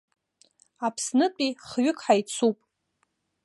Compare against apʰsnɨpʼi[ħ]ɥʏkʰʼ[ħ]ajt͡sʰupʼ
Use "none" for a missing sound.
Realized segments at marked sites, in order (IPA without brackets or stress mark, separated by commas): χ, ħ